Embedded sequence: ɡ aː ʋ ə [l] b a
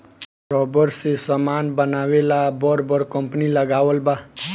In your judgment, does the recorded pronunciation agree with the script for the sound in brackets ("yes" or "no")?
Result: yes